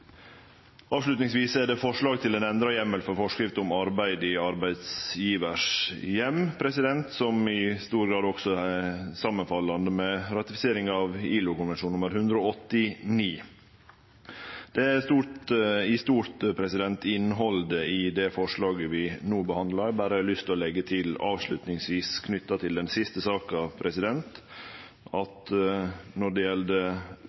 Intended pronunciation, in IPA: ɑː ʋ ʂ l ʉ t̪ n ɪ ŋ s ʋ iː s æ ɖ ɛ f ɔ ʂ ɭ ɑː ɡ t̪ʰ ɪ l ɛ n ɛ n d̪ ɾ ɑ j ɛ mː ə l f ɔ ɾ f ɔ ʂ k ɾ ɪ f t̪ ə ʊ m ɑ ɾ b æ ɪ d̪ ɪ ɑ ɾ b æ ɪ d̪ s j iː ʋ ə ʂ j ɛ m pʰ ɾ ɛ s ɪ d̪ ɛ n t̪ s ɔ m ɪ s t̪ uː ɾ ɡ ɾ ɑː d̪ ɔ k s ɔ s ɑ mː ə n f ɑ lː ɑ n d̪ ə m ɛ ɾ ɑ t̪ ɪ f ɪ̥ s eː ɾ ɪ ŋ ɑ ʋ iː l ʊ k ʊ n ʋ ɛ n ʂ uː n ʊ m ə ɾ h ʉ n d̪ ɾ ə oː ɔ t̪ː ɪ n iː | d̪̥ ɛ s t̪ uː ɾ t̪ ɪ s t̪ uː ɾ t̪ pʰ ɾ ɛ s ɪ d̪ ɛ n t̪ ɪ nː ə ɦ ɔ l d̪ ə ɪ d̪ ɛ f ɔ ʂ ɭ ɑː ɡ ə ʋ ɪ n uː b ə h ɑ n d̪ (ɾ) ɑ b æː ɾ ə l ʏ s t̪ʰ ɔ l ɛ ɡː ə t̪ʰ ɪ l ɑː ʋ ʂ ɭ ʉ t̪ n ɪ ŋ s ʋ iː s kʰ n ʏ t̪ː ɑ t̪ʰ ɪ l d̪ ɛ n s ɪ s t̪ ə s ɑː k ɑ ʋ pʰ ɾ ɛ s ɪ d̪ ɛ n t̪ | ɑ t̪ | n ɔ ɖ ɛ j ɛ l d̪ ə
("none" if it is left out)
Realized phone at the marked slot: l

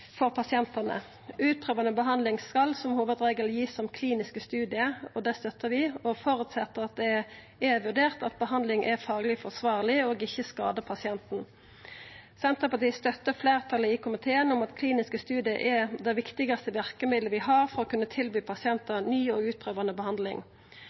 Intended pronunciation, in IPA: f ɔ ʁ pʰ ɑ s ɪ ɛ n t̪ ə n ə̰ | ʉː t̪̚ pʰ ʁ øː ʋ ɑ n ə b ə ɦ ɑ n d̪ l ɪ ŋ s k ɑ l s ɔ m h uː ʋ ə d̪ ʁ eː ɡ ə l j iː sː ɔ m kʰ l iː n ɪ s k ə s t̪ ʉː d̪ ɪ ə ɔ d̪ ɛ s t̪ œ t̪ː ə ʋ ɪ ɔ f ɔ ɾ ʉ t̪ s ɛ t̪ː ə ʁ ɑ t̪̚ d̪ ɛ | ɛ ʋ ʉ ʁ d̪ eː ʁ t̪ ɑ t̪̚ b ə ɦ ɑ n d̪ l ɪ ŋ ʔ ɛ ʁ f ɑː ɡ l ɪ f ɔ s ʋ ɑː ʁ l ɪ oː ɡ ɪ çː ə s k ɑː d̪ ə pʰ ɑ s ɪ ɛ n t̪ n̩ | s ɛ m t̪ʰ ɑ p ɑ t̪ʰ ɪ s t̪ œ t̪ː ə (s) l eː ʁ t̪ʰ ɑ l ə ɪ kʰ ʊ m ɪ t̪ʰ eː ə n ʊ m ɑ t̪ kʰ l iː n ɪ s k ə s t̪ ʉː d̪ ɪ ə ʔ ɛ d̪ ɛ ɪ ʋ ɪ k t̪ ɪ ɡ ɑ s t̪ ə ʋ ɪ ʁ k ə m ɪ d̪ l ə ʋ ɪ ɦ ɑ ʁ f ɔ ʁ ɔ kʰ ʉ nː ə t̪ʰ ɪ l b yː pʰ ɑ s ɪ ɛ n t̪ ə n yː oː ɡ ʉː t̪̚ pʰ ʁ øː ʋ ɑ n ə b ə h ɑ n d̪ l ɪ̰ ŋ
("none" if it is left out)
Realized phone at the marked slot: f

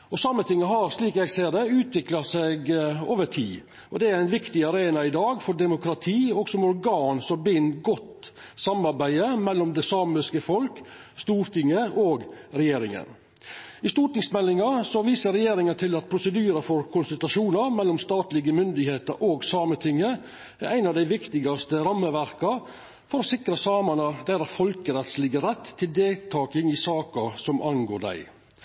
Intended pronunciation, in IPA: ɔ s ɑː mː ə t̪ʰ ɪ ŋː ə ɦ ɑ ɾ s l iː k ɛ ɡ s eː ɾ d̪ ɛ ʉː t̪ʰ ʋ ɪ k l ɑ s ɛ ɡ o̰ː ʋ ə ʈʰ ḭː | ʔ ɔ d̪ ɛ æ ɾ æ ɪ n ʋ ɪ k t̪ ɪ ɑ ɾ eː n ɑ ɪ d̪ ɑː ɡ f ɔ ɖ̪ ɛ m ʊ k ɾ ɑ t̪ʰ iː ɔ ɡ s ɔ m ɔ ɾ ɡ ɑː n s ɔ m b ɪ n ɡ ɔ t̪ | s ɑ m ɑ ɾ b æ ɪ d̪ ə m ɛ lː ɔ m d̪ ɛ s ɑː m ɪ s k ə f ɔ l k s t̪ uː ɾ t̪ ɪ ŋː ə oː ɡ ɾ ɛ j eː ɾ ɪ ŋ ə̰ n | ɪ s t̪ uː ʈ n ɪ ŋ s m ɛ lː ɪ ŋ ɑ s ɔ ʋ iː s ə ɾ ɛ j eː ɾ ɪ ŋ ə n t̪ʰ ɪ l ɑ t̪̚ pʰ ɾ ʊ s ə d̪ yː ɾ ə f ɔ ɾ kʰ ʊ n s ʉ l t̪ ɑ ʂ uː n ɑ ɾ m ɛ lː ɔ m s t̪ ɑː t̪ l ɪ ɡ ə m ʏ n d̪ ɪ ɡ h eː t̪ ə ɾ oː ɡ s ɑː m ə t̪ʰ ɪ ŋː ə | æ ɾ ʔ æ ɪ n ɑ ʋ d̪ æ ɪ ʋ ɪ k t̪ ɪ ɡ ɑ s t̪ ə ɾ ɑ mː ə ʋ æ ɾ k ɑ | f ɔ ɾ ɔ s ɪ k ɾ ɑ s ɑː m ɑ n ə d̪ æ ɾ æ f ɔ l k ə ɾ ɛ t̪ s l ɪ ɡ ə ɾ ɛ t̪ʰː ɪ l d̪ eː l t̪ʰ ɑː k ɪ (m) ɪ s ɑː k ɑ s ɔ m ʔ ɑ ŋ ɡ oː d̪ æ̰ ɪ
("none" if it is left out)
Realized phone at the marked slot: ŋ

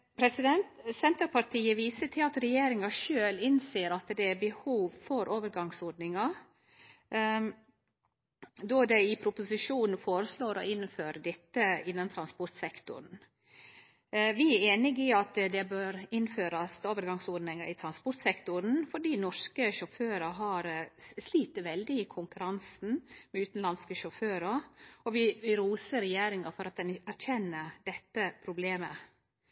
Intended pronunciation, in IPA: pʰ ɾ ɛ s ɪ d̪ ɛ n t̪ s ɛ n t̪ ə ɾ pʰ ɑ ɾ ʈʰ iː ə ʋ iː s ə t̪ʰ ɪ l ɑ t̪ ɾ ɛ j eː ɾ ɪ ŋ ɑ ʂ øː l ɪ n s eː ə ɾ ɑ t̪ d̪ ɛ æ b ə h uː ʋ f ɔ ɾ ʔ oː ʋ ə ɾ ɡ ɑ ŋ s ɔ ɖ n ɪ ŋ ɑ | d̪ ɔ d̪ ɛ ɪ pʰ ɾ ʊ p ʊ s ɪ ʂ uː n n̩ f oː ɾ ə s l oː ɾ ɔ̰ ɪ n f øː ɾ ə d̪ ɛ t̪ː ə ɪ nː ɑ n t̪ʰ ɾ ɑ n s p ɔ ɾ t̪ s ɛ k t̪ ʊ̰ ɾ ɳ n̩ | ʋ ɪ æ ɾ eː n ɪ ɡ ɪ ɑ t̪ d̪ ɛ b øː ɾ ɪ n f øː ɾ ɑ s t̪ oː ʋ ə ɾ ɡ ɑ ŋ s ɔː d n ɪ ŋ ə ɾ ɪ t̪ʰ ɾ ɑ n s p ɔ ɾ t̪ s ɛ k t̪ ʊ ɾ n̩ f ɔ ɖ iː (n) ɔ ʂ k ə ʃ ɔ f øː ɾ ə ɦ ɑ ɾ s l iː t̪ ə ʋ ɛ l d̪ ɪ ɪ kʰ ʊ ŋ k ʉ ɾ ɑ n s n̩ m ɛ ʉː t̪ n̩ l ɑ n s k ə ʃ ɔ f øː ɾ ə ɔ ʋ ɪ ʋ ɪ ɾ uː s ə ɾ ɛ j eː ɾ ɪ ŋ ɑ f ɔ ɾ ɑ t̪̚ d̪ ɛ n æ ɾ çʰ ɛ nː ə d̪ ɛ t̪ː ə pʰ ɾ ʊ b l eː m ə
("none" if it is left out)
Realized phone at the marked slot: n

